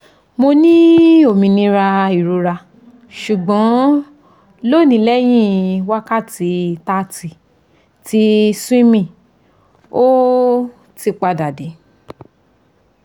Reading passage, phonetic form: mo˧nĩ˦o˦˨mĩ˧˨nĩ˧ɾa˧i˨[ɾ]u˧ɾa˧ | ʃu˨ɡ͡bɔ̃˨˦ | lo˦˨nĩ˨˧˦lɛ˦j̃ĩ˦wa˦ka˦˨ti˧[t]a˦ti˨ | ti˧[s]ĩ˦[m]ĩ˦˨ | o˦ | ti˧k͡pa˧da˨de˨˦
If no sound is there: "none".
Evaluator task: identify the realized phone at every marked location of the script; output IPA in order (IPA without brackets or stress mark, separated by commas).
ɾ, t, s, m